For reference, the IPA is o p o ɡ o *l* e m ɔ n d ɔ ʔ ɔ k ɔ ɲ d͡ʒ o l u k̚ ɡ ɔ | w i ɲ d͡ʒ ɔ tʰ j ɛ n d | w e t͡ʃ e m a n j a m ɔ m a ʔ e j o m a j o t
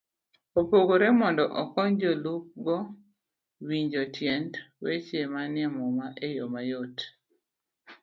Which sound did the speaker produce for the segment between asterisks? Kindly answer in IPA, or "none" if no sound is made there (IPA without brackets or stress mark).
ɾ